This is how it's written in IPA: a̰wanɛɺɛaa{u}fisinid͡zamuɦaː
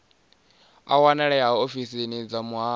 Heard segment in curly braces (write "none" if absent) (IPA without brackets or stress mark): o